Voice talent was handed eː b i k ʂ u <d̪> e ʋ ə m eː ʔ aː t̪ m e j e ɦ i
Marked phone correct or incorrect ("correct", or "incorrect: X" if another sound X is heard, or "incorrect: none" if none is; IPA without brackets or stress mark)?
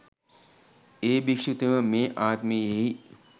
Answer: incorrect: t̪